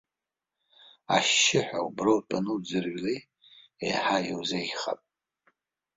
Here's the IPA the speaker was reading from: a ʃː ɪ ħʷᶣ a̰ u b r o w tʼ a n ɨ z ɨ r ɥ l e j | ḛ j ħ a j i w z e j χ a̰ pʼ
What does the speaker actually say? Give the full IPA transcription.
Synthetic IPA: a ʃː ɪ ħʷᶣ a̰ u b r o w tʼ a n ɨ d͡z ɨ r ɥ l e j | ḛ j ħ a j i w z e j χ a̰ pʼ

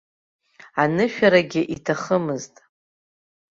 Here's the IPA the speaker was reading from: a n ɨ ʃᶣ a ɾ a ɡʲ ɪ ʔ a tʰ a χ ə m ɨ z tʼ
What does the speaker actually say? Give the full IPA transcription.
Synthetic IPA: a n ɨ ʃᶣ a ɾ a ɡʲ ɪ ʔ i tʰ a χ ə m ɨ z tʼ

